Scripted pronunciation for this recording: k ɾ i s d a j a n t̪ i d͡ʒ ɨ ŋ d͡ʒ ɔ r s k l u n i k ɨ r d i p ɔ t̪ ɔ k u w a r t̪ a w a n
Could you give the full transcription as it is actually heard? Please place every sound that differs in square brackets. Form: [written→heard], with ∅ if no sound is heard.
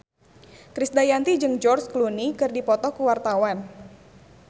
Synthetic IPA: k ɾ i s d a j a n t̪ i d͡ʒ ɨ ŋ d͡ʒ ɔ r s k l u n i k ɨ r d i p ɔ t̪ ɔ k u w a r t̪ a w a n